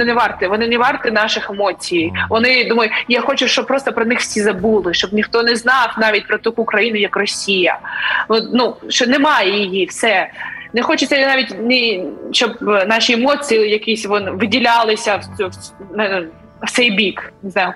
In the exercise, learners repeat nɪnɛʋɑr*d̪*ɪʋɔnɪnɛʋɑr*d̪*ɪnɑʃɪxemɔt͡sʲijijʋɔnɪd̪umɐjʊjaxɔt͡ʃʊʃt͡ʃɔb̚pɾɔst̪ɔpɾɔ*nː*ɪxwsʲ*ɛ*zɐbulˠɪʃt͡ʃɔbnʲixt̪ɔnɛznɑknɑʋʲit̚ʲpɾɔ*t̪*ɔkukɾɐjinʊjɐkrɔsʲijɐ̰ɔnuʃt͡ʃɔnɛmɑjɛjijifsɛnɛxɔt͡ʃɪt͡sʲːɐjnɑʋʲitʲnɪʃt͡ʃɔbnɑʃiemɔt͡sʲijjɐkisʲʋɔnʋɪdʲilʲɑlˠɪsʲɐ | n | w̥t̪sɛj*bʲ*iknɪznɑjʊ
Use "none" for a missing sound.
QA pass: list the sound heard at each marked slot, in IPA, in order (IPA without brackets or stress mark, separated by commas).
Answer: t̪, t̪, n, i, t̪, bʲ